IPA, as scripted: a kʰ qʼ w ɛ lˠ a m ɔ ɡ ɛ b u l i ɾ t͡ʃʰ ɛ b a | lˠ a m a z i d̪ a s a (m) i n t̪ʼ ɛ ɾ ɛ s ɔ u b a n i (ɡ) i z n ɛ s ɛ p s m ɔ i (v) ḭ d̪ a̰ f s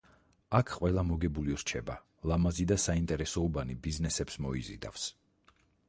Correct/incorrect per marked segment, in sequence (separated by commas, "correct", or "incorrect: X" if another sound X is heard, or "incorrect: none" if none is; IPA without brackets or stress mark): incorrect: none, incorrect: b, incorrect: z